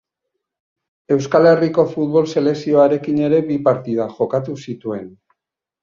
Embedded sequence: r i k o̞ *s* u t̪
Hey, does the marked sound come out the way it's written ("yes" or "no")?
no